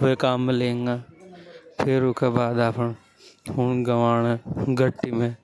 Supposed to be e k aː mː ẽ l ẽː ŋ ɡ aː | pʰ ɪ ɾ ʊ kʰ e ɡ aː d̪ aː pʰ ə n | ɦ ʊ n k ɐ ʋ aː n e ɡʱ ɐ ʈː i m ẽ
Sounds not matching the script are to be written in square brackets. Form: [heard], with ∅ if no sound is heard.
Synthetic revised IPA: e k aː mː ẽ l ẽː ŋ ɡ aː | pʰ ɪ ɾ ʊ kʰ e [b] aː d̪ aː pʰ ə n | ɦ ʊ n [ɡ] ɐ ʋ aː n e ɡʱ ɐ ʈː i m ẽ

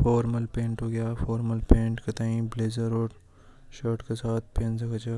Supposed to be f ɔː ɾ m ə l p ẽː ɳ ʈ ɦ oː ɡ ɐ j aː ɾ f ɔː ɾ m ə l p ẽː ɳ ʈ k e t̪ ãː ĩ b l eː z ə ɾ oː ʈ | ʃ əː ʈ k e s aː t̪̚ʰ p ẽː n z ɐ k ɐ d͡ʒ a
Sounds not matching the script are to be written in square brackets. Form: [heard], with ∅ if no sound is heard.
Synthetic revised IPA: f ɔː ɾ m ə l p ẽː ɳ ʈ ɦ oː ɡ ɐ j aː [∅] f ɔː ɾ m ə l p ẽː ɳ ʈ k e t̪ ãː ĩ b l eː z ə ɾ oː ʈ | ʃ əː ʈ k e s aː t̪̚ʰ p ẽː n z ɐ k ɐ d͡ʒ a

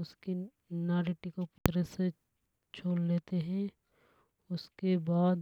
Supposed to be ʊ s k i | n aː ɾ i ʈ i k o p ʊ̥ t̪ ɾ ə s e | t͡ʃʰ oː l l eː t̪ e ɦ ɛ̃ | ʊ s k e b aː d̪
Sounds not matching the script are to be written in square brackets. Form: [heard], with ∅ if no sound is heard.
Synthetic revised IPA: ʊ s k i | n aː ɾ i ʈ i k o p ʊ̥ t̪ ɾ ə s e | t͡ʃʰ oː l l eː t̪ e ɦ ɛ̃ | ʊ s k e b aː d̪

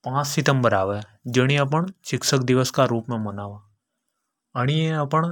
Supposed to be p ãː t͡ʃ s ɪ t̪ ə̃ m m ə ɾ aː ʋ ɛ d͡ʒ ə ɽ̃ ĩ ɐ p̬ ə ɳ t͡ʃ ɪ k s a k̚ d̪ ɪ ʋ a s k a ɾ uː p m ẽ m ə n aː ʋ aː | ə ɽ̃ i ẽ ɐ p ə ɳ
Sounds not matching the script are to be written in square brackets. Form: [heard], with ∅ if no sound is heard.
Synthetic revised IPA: p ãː t͡ʃ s ɪ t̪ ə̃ m [b] ə ɾ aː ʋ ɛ d͡ʒ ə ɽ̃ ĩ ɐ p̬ ə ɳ t͡ʃ ɪ k s [ə] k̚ d̪ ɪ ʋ [ə] s k a ɾ uː p m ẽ m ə n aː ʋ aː | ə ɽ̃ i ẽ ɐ p ə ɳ

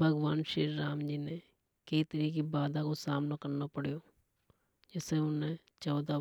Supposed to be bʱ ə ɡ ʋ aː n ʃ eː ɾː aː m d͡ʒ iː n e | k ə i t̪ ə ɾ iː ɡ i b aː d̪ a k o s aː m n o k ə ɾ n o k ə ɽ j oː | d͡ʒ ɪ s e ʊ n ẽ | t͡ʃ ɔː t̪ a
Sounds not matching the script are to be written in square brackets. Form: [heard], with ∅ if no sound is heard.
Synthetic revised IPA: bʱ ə ɡ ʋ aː n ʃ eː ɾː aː m d͡ʒ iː n e | k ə i t̪ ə ɾ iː [k] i b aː d̪ a k o s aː m n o k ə ɾ n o [p] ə ɽ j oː | d͡ʒ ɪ s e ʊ n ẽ | t͡ʃ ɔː [d̪] a

